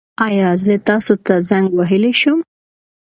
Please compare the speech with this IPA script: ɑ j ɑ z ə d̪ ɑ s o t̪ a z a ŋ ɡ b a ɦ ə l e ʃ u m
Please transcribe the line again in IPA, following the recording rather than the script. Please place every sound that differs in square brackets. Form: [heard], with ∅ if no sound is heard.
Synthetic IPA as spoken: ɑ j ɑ z ə [t̪] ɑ s o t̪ a z a ŋ ɡ [w] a ɦ ə l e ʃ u m